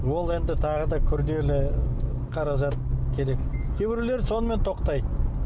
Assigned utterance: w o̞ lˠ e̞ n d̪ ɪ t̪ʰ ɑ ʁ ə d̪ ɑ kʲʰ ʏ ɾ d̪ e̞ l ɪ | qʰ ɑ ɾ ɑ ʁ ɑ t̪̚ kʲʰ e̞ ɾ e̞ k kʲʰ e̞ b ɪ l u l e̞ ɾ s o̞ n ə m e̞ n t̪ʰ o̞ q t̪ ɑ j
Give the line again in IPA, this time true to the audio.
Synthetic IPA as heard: w o̞ lˠ e̞ n d̪ ɪ t̪ʰ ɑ ʁ ə d̪ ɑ kʲʰ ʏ ɾ d̪ e̞ l ɪ | qʰ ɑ ɾ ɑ ʒ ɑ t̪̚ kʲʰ e̞ ɾ e̞ k kʲʰ e̞ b ɪ ɾ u l e̞ ɾ s o̞ n ə m e̞ n t̪ʰ o̞ q t̪ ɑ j